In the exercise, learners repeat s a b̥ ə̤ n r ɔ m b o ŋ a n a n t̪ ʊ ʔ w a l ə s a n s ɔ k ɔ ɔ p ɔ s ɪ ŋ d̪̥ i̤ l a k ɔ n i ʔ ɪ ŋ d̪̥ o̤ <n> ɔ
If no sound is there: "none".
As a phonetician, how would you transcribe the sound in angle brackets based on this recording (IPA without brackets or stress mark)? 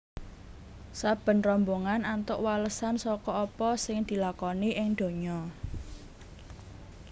ɲ